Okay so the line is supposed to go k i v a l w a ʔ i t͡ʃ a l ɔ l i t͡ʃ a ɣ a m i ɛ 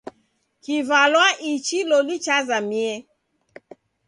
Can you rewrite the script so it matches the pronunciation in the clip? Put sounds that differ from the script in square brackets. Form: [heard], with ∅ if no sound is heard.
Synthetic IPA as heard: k i v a l w a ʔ i t͡ʃ [i] l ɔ l i t͡ʃ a [z] a m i ɛ